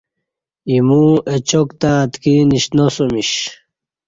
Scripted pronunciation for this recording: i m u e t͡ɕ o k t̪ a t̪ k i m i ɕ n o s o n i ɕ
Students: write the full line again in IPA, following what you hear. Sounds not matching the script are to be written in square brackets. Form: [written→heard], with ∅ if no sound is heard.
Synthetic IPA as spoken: i m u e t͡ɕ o k t̪ a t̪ k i [m→n] i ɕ n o s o [n→m] i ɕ